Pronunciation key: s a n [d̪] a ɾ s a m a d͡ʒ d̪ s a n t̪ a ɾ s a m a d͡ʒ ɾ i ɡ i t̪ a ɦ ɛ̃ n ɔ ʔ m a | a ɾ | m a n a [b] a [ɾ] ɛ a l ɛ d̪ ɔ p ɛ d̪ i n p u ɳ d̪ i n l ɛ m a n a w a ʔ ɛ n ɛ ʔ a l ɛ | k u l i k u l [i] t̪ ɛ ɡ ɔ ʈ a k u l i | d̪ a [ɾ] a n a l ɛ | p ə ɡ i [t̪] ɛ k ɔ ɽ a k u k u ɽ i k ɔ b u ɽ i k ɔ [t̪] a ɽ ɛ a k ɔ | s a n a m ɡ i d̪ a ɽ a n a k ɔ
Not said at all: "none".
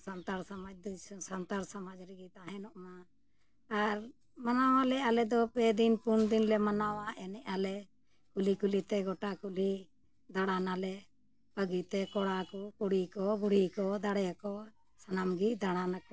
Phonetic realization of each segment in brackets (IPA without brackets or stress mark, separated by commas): t̪, w, l, i, ɽ, t̪, d̪